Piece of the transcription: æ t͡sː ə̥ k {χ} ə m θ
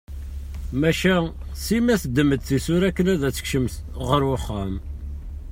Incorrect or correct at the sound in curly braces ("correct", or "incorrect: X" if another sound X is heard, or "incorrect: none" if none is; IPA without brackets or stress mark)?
incorrect: ʃ